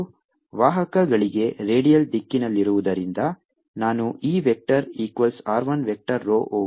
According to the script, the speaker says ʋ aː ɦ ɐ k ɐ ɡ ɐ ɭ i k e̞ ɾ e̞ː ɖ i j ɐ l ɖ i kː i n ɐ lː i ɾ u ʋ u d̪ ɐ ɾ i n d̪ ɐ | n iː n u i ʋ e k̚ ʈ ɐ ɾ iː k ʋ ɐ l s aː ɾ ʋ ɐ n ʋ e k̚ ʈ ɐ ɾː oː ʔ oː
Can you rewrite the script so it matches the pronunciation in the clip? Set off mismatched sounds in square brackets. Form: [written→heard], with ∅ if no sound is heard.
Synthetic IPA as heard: ʋ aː ɦ ɐ k ɐ ɡ ɐ ɭ i [k→ɡ] e̞ ɾ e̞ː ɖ i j ɐ l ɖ i kː i n ɐ lː i ɾ u ʋ u d̪ ɐ ɾ i n d̪ ɐ | n [iː→aː] n u [i→iː] ʋ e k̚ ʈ ɐ ɾ iː k ʋ ɐ l s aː ɾ ʋ ɐ n ʋ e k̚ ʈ ɐ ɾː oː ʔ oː